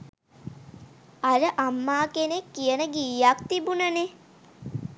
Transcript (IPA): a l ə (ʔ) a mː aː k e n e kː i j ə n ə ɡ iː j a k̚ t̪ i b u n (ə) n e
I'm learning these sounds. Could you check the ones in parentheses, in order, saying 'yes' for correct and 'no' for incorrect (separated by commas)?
yes, yes